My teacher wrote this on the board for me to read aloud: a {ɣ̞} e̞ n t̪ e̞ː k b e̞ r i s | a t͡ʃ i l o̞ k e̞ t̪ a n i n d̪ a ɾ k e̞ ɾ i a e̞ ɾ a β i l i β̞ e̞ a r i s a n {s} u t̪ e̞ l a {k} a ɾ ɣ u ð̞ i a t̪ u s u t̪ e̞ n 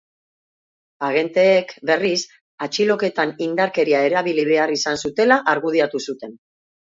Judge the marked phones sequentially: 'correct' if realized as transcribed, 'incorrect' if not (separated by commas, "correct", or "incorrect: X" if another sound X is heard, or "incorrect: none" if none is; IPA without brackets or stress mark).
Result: correct, correct, incorrect: ʔ